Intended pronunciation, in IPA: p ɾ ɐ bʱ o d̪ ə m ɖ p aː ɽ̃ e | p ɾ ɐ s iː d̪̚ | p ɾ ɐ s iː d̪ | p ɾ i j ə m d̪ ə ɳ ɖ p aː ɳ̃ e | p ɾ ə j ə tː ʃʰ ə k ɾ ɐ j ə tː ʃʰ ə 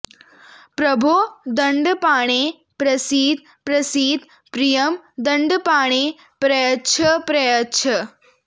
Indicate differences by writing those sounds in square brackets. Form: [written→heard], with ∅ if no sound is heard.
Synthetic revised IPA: p ɾ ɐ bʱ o d̪ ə [m→ɳ] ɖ p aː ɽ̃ e | p ɾ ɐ s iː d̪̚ | p ɾ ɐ s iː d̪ | p ɾ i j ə m d̪ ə ɳ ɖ p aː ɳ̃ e | p ɾ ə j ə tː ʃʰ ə [k→p] ɾ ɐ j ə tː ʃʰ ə